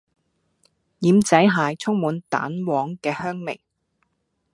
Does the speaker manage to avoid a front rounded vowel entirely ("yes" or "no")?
no